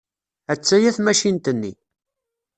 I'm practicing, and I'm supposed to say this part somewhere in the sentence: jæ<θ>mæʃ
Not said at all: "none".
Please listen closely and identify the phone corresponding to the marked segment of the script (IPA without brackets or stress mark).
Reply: θ